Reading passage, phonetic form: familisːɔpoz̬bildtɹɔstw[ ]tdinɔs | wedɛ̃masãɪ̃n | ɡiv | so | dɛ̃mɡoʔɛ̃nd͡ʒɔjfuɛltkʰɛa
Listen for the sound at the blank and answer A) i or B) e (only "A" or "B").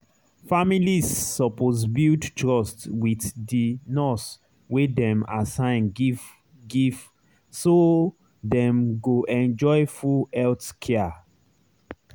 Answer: A